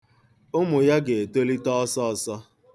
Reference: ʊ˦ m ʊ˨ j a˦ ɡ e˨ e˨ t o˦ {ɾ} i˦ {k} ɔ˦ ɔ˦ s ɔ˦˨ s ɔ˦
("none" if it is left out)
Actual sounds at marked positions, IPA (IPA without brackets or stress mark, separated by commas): l, t